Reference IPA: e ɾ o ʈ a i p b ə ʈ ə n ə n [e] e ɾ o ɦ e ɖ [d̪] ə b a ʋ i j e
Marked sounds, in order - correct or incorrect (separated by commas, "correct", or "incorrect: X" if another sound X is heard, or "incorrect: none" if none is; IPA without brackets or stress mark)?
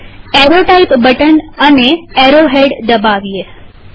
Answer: correct, correct